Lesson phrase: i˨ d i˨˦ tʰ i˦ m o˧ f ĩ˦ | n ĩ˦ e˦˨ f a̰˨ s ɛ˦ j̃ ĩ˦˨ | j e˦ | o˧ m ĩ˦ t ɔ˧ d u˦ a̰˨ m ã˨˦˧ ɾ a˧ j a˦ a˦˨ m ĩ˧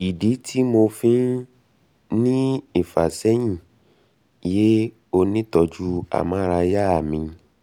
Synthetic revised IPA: i˨ d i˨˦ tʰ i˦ m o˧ f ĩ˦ | n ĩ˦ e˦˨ f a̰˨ s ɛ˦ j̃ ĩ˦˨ | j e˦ | o˧ n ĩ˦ t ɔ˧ d͡ʒ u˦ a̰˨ m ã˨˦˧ ɾ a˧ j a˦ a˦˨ m ĩ˧